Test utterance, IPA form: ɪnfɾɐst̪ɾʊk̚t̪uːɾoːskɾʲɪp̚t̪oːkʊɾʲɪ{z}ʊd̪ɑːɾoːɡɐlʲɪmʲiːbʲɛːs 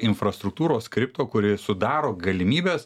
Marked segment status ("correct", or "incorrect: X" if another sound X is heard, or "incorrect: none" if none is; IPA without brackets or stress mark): incorrect: s